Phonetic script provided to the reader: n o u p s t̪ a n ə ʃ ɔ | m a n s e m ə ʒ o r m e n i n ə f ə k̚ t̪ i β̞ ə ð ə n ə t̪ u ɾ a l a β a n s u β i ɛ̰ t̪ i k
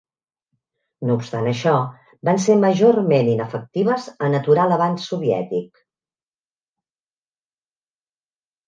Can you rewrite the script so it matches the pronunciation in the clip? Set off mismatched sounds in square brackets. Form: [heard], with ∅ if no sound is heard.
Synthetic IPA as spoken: n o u p s t̪ a n ə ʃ ɔ | [b] a n s e m ə ʒ o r m e n i n ə f ə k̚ t̪ i β̞ ə [z] ə n ə t̪ u ɾ a l [ə] β a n s u β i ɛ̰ t̪ i k